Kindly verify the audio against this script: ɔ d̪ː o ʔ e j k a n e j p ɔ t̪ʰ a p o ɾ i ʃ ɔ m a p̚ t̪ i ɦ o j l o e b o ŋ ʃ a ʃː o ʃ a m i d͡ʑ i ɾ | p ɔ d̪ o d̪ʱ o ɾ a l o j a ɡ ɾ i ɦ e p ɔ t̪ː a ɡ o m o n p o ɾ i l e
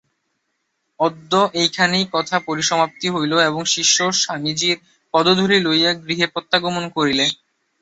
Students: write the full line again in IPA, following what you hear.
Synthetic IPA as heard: ɔ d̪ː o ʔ e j kʰ a n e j k ɔ t̪ʰ a p o ɾ i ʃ ɔ m a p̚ t̪ i ɦ o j l o e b o ŋ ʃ i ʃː o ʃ a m i d͡ʑ i ɾ | p ɔ d̪ o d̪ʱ o ɾ i l o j a ɡ ɾ i ɦ e p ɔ t̪ː a ɡ o m o n k o ɾ i l e

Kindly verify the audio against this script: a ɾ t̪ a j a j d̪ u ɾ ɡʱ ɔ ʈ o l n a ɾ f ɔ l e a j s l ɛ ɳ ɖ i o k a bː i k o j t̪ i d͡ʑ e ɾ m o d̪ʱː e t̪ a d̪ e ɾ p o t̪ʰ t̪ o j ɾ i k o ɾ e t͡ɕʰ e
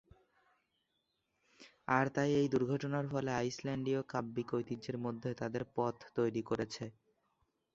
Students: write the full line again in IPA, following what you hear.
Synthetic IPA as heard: a ɾ t̪ a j e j d̪ u ɾ ɡʱ ɔ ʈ o n a ɾ f ɔ l e a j s l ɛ ɳ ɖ i o k a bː i k o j t̪ i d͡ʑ e ɾ m o d̪ʱː e t̪ a d̪ e ɾ p ɔ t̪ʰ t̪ o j ɾ i k o ɾ e t͡ɕʰ e

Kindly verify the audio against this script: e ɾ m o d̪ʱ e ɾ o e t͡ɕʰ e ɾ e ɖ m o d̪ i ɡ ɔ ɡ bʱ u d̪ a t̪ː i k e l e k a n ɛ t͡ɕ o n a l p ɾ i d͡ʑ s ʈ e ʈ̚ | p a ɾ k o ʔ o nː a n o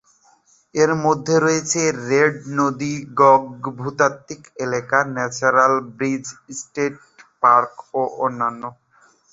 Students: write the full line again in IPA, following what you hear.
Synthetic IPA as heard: e ɾ m o d̪ʱː e ɾ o e t͡ɕʰ e ɾ e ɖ n o d̪ i ɡ ɔ ɡ bʱ u t̪ a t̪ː i k e l e k a n ɛ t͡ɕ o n a l b ɾ i d͡ʑ s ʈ e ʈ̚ | p a ɾ k o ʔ o nː a nː o

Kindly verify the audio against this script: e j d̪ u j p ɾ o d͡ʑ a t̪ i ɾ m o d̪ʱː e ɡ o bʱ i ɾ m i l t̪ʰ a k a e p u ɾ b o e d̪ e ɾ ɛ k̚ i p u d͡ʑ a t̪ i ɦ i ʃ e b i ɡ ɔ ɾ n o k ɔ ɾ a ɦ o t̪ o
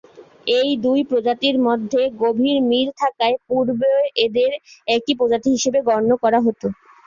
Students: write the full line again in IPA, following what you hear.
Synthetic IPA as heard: e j d̪ u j p ɾ o d͡ʑ a t̪ i ɾ m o d̪ʱː e ɡ o bʱ i ɾ m i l t̪ʰ a k a e p u ɾ b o e d̪ e ɾ ɛ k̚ i p o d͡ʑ a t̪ i ɦ i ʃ e b e ɡ ɔ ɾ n o k ɔ ɾ a ɦ o t̪ o

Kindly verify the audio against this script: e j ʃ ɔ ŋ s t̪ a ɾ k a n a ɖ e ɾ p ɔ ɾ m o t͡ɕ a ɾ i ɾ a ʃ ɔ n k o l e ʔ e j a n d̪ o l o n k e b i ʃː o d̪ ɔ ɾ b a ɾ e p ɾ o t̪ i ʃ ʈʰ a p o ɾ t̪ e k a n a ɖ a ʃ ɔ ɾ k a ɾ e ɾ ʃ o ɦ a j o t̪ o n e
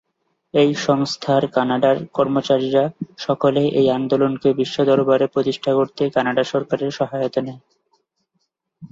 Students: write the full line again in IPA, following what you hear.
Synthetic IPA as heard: e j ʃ ɔ ŋ s t̪ʰ a ɾ k a n a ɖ a ɾ k ɔ ɾ m o t͡ɕ a ɾ i ɾ a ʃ ɔ k o l e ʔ e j a n d̪ o l o n k e b i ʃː o d̪ ɔ ɾ b a ɾ e p ɾ o t̪ i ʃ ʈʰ a k o ɾ t̪ e k a n a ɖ a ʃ ɔ ɾ k a ɾ e ɾ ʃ ɔ ɦ a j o t̪ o n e

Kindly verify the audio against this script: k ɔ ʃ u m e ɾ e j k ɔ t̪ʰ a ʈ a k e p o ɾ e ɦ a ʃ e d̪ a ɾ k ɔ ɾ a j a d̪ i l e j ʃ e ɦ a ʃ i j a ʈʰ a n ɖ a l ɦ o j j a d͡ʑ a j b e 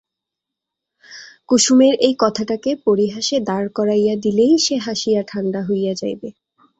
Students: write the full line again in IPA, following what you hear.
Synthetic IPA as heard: k u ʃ u m e ɾ e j k ɔ t̪ʰ a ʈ a k e p o ɾ i ɦ a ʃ e d̪ a ɾ k ɔ ɾ a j a d̪ i l e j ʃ e ɦ a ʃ i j a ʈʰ a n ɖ a ɦ o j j a d͡ʑ a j b e

